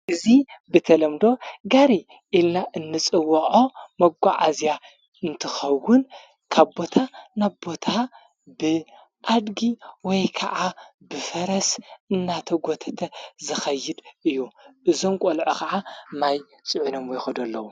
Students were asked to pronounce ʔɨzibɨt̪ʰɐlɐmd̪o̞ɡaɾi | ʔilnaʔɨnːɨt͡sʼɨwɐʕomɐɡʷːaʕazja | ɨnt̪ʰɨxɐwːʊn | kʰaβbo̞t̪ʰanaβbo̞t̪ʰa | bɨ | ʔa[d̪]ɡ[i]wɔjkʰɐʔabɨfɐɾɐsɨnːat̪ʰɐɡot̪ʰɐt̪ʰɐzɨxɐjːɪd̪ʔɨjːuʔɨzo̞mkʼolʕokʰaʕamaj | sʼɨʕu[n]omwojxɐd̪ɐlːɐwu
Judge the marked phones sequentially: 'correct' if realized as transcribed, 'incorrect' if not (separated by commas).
correct, correct, correct